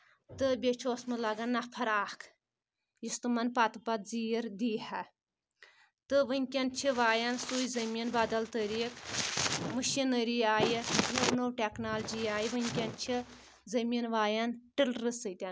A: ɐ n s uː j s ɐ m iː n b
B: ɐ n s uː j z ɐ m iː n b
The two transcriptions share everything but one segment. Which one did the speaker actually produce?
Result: B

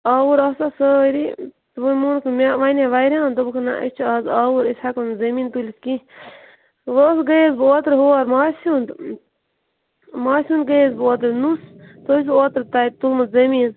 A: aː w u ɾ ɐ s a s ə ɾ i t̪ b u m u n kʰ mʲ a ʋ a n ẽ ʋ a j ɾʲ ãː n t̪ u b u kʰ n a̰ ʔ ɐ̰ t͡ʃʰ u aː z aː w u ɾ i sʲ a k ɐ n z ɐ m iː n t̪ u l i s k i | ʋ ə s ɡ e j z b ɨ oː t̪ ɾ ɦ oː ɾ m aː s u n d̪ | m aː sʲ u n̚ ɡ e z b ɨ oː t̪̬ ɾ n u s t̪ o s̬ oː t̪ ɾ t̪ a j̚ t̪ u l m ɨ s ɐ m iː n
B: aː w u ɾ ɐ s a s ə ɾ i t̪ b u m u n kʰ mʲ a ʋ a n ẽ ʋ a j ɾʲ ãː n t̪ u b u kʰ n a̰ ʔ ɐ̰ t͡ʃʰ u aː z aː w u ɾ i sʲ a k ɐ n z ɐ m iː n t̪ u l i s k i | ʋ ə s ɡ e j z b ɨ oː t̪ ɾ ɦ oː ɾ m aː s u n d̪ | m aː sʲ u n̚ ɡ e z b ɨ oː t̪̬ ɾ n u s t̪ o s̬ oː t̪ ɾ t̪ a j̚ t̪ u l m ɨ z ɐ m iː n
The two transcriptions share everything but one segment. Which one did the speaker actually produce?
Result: B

